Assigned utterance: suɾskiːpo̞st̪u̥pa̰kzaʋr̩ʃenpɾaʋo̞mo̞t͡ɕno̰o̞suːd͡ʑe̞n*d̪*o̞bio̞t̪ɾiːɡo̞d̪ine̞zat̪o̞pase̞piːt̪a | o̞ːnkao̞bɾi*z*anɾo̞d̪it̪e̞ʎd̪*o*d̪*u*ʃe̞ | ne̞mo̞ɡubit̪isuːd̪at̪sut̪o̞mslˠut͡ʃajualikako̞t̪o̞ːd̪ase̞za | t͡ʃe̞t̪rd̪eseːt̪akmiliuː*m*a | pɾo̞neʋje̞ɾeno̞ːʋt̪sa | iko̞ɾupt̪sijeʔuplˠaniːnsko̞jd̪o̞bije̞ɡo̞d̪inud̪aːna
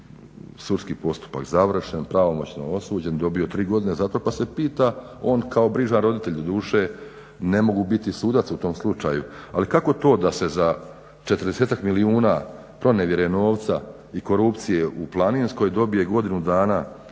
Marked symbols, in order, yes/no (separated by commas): yes, no, yes, no, no